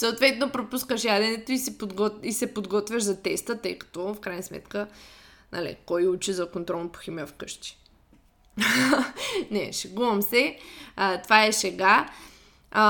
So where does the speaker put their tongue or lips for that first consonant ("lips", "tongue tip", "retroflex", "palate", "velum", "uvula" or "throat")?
tongue tip